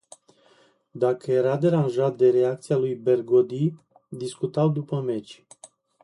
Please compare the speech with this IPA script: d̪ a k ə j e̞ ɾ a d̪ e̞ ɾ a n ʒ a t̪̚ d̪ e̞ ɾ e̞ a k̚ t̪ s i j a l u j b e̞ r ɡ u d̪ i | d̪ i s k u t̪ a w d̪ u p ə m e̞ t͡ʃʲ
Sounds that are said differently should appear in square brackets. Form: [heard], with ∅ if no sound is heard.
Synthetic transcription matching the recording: d̪ a k ə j e̞ ɾ a d̪ e̞ ɾ a n ʒ a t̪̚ d̪ e̞ ɾ e̞ a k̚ t̪ s i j a l u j b e̞ r ɡ [o] d̪ i | d̪ i s k u t̪ a w d̪ u p ə m e̞ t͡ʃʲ